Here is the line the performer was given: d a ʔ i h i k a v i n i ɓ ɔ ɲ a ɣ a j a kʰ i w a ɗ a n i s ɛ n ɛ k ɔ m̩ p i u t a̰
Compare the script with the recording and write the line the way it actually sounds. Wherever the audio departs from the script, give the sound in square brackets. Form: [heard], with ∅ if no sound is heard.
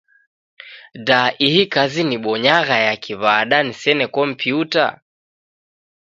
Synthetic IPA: d a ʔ i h i k a [z] i n i ɓ ɔ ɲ a ɣ a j a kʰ i [β] a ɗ a n i s ɛ n ɛ k ɔ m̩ p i u t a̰